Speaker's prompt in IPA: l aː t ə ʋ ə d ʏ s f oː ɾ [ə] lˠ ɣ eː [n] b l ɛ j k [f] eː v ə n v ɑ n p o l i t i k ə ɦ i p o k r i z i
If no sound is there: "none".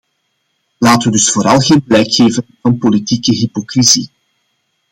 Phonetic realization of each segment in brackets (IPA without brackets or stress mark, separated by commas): ɑ, n, x